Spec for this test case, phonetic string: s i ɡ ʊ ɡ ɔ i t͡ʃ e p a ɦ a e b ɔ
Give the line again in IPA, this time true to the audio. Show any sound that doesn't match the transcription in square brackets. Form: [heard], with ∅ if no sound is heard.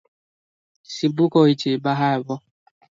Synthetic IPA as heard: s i [b] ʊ [k] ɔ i t͡ʃ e [b] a ɦ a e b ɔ